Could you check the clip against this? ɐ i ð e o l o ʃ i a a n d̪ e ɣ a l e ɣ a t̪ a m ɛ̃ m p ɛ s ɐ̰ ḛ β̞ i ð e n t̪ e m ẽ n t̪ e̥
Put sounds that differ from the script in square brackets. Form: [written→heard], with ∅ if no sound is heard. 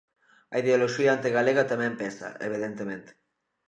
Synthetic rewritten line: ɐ i ð e o l o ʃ i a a n [d̪→t̪] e ɣ a l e ɣ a t̪ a m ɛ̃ m p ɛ s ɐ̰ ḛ β̞ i ð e n t̪ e m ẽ n t̪ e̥